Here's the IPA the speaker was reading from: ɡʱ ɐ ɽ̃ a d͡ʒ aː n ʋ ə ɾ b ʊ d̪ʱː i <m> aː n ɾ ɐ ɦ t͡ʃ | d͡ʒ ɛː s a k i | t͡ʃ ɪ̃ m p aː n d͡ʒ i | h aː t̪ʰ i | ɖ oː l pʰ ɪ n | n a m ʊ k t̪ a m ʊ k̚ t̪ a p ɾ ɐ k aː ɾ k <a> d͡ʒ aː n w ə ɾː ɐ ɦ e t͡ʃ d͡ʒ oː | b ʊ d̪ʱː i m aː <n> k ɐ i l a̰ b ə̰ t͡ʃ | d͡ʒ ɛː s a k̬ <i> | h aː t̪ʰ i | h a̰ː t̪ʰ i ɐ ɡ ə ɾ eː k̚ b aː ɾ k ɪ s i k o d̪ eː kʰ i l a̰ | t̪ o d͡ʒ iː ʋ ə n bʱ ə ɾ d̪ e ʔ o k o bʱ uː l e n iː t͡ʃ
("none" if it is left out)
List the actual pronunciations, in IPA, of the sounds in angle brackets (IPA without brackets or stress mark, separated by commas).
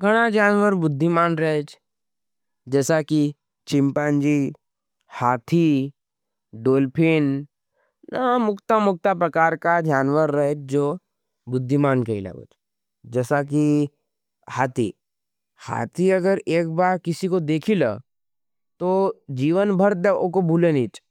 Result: m, a, n, i